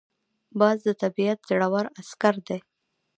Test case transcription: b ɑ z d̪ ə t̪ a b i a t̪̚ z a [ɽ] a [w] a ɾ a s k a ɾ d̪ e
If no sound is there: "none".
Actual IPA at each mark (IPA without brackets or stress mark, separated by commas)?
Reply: ɽ, w